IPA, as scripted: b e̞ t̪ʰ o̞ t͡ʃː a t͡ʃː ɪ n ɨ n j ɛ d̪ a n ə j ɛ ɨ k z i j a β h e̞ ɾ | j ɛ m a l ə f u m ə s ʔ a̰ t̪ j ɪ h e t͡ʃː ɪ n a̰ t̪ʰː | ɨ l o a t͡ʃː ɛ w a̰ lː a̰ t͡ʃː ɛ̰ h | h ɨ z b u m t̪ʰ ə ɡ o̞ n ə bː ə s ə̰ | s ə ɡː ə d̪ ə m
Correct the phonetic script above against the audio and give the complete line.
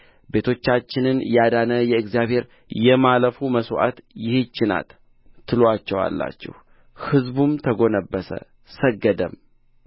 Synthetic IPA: b e̞ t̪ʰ o̞ t͡ʃː a t͡ʃː ɪ n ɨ n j a d̪ a n ə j ɛ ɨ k z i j a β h e̞ ɾ | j ɛ m a l ə f u m ə s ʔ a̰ t̪ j ɪ h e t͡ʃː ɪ n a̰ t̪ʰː | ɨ l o a t͡ʃː ɛ w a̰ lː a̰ t͡ʃː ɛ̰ h | h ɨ z b u m t̪ʰ ə ɡ o̞ n ə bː ə s ə̰ | s ə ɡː ə d̪ ə m